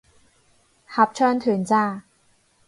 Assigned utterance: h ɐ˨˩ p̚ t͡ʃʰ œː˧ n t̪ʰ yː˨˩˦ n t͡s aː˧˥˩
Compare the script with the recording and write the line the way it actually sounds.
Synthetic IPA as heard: h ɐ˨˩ p̚ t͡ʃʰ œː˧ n t̪ʰ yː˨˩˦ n t͡s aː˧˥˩